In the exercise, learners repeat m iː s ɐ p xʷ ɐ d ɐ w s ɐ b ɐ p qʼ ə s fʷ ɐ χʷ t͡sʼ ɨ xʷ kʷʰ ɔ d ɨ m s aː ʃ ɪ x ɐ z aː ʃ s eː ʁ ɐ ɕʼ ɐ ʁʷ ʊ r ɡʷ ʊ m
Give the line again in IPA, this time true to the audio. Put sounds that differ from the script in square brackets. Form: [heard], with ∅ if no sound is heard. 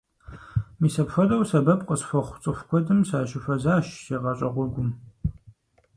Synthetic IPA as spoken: m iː s ɐ p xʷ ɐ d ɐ w s ɐ b ɐ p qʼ ə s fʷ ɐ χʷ t͡sʼ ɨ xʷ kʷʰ ɔ d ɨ m s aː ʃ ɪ [f] ɐ z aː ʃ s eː ʁ ɐ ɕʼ ɐ ʁʷ ʊ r ɡʷ ʊ m